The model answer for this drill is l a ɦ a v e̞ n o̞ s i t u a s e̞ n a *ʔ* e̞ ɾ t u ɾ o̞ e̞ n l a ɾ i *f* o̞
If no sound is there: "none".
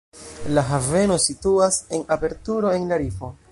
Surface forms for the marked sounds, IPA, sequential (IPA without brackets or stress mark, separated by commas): p, f